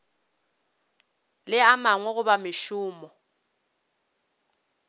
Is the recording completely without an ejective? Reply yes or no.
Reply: yes